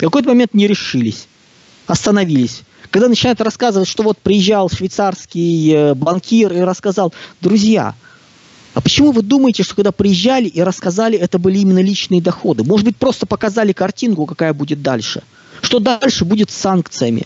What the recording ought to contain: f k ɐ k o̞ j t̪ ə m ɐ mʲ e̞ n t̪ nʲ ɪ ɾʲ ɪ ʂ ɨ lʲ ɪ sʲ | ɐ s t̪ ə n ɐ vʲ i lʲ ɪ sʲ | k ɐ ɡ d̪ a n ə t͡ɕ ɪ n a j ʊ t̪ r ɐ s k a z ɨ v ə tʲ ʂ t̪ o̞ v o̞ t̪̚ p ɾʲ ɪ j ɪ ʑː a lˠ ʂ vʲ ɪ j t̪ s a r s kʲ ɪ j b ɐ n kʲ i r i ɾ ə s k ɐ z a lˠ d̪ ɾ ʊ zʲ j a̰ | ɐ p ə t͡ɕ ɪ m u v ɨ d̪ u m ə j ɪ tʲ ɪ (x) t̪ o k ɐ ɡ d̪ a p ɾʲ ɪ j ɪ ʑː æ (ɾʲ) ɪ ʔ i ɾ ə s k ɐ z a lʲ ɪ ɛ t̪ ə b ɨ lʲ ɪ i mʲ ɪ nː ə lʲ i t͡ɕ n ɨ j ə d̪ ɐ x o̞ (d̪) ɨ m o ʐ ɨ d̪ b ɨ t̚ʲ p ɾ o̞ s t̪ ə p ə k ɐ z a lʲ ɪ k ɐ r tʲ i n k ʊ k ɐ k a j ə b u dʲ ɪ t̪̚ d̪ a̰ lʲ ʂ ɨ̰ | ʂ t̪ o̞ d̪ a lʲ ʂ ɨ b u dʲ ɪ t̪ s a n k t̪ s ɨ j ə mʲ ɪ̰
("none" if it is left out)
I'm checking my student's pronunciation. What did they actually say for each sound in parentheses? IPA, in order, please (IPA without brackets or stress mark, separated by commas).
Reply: ʂ, lʲ, d̪